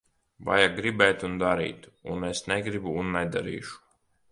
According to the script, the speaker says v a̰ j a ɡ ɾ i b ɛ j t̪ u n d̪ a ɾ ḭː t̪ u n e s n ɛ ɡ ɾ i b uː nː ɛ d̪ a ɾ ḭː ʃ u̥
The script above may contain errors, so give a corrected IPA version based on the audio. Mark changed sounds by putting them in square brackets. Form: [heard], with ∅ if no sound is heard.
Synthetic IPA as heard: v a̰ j a ɡ ɾ i b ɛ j t̪ u n d̪ a ɾ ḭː t̪ u n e s n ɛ ɡ ɾ i b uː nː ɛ d̪ a ɾ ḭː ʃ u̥